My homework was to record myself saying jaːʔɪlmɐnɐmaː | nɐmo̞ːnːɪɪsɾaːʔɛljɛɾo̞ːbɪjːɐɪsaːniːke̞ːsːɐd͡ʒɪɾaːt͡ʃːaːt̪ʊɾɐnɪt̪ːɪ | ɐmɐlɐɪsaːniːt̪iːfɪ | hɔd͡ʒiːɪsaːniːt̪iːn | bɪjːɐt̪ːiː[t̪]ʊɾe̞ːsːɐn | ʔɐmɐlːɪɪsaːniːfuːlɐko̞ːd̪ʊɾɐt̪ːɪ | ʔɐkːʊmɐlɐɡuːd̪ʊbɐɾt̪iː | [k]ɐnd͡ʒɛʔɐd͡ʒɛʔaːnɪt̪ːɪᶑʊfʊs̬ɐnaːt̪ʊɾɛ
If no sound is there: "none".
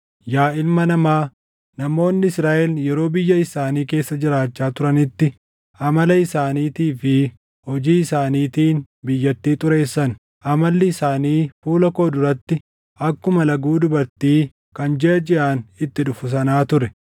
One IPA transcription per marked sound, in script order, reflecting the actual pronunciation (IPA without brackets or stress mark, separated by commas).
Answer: t̪ʼ, k